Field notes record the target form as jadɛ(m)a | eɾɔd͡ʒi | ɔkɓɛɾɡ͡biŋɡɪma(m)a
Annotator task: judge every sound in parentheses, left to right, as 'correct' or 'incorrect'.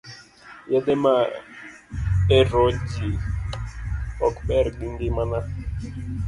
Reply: correct, incorrect: n

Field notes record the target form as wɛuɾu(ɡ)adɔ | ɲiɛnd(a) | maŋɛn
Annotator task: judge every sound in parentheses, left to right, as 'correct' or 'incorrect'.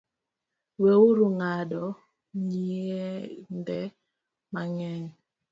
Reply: incorrect: ŋ, incorrect: ɛ

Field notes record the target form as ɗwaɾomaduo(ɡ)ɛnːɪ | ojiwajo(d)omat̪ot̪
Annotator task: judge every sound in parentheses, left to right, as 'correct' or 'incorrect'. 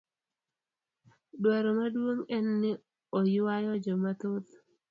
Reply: incorrect: ŋ, incorrect: d͡ʒ

